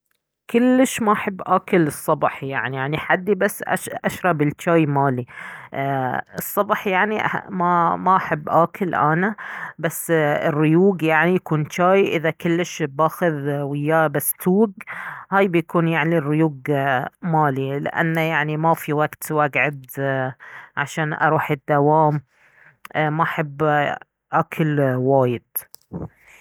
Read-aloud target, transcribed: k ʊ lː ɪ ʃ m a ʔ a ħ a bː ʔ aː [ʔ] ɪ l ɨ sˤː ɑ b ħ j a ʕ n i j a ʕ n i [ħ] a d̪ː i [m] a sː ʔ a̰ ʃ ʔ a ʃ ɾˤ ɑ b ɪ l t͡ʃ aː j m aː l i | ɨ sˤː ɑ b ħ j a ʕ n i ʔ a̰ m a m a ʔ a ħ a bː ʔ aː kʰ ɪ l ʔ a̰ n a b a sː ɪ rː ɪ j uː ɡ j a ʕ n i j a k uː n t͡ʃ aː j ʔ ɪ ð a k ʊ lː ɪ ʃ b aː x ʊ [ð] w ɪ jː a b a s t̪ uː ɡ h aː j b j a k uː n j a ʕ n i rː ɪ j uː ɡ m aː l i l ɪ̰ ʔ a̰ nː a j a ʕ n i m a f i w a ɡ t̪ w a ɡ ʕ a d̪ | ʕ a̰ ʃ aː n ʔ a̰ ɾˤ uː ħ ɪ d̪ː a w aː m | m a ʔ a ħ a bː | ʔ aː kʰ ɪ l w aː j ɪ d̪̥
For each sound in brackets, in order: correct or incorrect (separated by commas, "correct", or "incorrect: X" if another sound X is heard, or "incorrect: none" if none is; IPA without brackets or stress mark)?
incorrect: k, correct, incorrect: b, correct